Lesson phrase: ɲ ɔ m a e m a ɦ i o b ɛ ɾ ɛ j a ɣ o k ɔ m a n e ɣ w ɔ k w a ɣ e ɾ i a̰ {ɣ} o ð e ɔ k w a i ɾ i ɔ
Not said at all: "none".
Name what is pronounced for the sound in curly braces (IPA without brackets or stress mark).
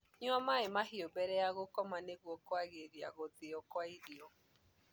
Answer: ɣ